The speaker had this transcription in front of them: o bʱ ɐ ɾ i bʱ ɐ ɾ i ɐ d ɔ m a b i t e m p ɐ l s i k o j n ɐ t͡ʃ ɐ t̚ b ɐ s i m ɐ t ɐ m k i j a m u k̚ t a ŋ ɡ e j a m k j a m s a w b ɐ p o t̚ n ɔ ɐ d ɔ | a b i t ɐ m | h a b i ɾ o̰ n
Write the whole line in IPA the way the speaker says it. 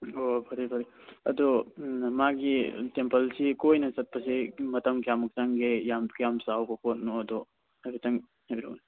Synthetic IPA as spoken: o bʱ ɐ ɾ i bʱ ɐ ɾ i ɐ d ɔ m a ɡ i t e m p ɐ l s i k o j n ɐ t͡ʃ ɐ t̚ p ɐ s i m ɐ t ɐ m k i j a m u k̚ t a ŋ ɡ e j a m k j a m s a w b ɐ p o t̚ n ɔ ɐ d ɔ | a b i t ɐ ŋ | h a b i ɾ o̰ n